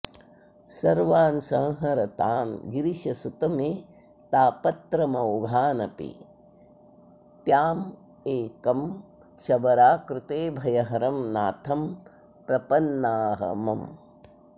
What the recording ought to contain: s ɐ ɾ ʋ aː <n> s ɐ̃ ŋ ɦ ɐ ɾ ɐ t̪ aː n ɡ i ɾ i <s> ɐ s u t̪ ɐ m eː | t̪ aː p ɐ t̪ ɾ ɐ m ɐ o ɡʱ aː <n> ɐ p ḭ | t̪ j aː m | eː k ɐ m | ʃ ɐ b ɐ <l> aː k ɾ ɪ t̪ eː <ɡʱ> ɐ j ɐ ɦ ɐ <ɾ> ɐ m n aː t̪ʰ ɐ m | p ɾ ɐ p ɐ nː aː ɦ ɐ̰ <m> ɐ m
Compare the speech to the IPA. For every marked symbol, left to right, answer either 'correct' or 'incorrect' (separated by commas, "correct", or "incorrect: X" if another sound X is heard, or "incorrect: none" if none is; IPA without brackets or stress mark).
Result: correct, incorrect: ʃ, correct, incorrect: ɾ, incorrect: bʱ, correct, correct